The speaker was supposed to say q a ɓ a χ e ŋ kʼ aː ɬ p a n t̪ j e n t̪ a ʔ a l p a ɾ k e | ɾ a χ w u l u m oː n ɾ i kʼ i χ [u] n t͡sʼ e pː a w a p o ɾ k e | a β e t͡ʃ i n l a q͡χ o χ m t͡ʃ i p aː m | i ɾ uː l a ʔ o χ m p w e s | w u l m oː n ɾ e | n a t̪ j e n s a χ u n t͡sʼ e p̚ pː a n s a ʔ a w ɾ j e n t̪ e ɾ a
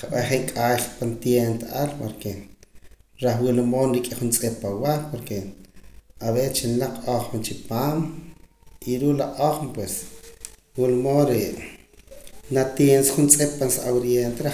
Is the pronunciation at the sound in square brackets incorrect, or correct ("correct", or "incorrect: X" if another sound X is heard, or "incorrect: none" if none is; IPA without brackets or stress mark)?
correct